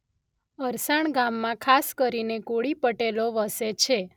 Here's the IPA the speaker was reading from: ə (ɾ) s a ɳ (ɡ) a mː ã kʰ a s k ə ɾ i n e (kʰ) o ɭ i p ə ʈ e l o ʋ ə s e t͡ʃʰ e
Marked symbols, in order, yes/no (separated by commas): yes, yes, no